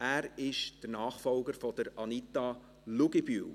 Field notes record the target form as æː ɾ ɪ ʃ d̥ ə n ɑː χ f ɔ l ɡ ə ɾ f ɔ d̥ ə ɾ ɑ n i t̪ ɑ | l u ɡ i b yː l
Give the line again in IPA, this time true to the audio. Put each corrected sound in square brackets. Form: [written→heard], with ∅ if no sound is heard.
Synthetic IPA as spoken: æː ɾ ɪ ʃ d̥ ə n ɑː χ f ɔ l ɡ ə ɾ f ɔ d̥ ə ɾ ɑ n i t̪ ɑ | l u ɡ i b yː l